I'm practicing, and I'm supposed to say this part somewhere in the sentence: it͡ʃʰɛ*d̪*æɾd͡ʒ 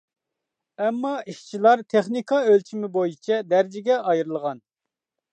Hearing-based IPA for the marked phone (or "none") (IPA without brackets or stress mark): d̪